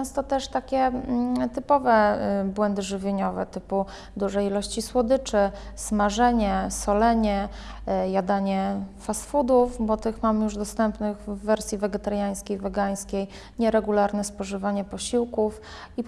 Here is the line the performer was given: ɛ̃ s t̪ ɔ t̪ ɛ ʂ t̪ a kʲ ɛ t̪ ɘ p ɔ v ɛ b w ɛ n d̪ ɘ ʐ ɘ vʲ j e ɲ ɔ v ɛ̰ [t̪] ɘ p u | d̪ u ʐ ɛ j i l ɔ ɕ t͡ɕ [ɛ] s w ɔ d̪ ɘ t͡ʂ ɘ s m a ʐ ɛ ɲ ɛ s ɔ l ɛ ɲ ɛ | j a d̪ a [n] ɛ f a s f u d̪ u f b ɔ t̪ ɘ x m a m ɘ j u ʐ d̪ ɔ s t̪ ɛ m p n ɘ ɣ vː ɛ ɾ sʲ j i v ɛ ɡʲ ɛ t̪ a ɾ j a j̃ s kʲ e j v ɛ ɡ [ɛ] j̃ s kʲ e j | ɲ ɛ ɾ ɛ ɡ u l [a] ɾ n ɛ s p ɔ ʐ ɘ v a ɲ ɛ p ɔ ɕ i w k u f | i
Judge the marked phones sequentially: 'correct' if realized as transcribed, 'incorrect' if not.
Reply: correct, incorrect: i, incorrect: ɲ, incorrect: a, correct

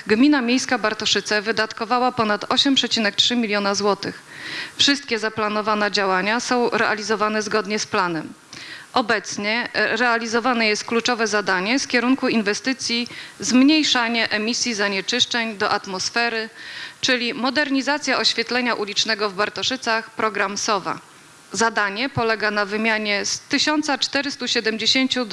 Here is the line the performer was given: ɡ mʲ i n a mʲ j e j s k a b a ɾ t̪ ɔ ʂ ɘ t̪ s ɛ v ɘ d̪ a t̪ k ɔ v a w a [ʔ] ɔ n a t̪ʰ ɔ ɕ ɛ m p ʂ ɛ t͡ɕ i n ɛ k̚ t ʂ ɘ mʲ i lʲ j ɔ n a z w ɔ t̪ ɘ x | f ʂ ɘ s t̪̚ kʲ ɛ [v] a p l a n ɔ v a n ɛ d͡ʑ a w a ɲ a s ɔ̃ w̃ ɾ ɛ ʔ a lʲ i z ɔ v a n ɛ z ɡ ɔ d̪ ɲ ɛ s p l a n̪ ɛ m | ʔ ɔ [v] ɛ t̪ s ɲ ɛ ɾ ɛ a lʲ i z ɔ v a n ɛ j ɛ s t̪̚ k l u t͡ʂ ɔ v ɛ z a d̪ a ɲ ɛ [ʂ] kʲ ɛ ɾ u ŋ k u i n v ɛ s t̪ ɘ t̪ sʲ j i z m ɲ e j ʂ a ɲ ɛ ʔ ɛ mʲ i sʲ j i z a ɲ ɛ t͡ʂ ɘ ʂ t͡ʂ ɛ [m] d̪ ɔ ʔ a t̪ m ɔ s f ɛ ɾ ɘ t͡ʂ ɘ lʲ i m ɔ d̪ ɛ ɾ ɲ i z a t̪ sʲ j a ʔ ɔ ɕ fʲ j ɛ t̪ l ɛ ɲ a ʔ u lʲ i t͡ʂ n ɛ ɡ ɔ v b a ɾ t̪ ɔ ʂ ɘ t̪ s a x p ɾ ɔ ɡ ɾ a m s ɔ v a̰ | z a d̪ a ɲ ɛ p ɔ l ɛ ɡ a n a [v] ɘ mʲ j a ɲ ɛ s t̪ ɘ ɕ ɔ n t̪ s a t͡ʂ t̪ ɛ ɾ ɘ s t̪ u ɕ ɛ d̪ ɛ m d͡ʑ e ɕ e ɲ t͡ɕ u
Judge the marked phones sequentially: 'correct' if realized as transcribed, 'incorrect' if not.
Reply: incorrect: p, incorrect: z, incorrect: b, incorrect: f, incorrect: ɲ, correct

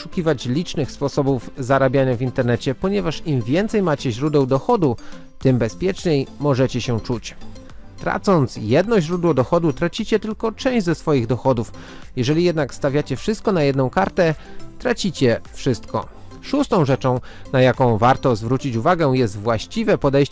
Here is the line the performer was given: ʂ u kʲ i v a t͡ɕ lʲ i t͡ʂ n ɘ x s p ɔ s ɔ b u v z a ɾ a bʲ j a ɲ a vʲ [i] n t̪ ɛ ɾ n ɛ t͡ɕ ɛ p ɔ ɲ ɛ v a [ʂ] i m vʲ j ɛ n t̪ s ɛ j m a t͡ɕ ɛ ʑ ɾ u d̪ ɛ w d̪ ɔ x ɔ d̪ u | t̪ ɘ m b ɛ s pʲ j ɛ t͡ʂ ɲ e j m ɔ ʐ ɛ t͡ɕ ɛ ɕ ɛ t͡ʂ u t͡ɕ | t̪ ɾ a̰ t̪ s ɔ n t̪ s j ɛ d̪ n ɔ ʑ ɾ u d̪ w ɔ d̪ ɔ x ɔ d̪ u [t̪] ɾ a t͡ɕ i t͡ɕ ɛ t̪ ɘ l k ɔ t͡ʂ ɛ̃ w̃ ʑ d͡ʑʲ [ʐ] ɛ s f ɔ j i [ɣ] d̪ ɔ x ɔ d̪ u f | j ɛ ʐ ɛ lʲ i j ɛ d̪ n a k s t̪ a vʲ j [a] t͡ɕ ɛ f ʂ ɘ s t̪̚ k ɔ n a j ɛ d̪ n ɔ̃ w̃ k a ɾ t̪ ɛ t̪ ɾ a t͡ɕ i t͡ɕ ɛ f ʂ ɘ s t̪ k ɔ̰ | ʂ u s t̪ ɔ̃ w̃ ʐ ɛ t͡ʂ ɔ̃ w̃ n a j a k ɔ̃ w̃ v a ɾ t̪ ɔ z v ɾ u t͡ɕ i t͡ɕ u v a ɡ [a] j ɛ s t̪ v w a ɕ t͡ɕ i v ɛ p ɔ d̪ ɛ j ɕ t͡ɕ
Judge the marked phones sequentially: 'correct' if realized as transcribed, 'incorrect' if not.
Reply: correct, correct, correct, incorrect: z, correct, correct, incorrect: ɛ

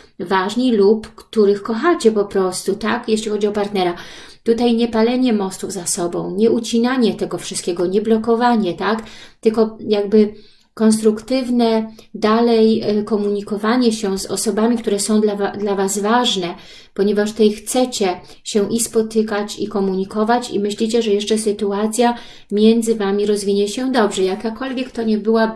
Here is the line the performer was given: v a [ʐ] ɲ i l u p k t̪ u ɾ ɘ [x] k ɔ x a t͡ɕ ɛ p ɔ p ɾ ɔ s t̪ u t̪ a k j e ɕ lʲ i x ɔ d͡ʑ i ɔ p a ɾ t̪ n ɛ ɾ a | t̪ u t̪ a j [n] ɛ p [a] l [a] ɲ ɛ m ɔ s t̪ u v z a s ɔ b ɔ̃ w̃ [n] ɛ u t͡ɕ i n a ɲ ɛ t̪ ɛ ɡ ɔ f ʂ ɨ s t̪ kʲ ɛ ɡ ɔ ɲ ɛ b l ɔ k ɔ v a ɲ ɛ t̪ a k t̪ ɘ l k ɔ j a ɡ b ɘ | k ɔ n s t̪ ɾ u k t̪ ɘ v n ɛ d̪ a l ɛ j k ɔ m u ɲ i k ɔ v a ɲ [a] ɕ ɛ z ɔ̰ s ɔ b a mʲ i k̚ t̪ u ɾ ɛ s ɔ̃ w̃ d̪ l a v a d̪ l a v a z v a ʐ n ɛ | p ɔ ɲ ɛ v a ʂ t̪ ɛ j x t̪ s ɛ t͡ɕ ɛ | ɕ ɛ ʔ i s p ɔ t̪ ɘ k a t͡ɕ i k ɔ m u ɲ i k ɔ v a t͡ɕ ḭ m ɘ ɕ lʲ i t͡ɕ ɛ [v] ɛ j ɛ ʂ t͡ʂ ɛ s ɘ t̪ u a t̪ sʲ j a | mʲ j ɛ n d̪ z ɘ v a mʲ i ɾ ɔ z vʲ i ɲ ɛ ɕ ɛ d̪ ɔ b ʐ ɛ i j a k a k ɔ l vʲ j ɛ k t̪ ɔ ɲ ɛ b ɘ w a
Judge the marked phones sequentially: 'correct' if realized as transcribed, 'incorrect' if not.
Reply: correct, correct, incorrect: ɲ, correct, incorrect: ɛ, incorrect: ɲ, incorrect: ɛ, incorrect: ʐ

